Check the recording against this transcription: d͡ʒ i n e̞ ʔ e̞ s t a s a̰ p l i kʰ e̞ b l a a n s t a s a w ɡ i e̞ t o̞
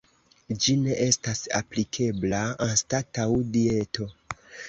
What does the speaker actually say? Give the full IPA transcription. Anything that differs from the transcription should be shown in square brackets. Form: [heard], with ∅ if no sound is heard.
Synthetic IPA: d͡ʒ i n e̞ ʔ e̞ s t a s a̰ p l i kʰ e̞ b l a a n s t a [t] a w [d] i e̞ t o̞